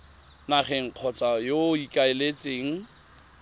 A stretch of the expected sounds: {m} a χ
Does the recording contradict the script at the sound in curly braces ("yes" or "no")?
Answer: yes